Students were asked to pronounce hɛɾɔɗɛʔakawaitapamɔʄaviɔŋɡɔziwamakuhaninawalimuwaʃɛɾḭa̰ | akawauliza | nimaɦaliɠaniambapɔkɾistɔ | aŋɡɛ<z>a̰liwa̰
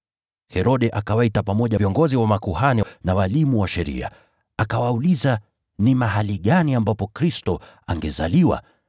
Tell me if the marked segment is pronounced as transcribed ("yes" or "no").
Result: yes